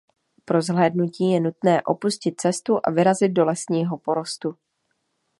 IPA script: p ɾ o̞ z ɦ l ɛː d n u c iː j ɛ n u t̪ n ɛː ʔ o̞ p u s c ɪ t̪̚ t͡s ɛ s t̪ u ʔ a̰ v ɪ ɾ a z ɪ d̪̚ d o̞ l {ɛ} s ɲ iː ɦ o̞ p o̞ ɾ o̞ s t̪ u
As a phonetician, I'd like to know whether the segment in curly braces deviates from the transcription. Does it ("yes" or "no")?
no